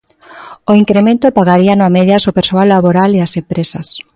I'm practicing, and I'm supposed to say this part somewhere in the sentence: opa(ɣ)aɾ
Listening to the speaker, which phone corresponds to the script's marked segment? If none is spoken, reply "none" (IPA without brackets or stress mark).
ɣ